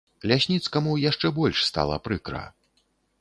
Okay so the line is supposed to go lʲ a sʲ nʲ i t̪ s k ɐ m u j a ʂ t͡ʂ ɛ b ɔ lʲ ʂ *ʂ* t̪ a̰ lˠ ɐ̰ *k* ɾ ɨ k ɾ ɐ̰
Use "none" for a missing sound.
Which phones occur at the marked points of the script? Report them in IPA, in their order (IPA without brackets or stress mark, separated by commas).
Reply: s, p